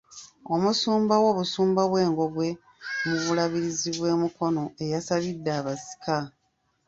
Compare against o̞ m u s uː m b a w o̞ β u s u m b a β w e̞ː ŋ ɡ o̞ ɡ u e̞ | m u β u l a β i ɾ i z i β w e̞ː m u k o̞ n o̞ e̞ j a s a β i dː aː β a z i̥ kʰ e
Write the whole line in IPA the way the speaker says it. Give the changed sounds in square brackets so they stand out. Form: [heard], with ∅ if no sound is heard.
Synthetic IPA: o̞ m u s uː m b a w o̞ β u s [uː] m b a β w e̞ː ŋ ɡ o̞ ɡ [w] e̞ | m u β u l a β i ɾ i z i β w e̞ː m u k o̞ n o̞ e̞ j a s a β i dː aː β a [s] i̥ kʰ [a]